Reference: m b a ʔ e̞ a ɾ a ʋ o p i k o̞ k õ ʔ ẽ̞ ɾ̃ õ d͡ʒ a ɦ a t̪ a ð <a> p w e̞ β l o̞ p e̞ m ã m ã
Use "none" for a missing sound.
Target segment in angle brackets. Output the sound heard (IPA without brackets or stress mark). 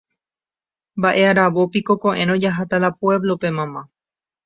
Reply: a